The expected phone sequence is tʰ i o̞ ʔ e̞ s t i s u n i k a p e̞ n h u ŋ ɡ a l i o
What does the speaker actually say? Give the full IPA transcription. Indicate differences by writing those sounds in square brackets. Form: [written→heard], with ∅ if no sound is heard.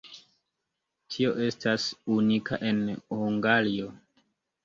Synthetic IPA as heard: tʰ i o̞ ʔ e̞ s t [i→a] s u n i k a [p→ʔ] e̞ n h u ŋ ɡ a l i o